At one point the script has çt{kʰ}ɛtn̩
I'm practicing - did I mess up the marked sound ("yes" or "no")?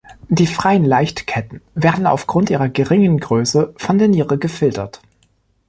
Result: no